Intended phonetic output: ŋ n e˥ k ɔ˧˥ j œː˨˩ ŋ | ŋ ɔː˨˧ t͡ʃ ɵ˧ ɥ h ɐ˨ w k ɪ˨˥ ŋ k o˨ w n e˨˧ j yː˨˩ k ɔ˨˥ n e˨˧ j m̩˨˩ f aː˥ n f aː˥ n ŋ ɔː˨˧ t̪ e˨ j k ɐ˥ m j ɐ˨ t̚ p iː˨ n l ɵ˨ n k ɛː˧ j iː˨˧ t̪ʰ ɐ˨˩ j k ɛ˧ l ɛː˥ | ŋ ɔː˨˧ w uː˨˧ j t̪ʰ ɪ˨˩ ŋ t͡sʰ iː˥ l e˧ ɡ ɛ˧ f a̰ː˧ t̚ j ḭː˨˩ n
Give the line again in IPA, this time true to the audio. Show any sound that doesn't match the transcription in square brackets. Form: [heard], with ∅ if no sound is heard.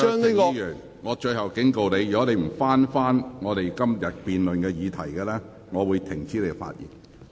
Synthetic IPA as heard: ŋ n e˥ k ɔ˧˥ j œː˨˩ ŋ | ŋ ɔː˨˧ t͡ʃ ɵ˧ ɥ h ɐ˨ w k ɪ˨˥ ŋ k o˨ w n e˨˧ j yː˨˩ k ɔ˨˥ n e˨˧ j m̩˨˩ f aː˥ n f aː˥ n ŋ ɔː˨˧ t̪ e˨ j k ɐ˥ m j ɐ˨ t̚ p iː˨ n l ɵ˨ n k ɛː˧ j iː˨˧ t̪ʰ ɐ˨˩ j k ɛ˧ l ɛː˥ | ŋ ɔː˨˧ w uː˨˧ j t̪ʰ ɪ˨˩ ŋ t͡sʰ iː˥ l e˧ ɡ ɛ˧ f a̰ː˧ t̚ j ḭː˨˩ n